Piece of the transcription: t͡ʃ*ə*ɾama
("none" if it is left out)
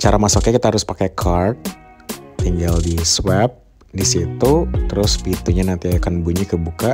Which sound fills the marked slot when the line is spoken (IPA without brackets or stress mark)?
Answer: a